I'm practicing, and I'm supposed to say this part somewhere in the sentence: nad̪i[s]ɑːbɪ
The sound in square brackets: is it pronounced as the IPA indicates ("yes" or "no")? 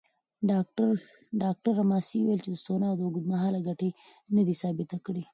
yes